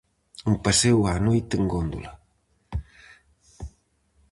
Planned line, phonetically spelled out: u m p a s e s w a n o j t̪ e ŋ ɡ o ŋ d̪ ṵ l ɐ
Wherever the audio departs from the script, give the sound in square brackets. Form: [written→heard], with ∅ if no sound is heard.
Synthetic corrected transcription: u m p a s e [s→∅] w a n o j t̪ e ŋ ɡ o [ŋ→n] d̪ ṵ l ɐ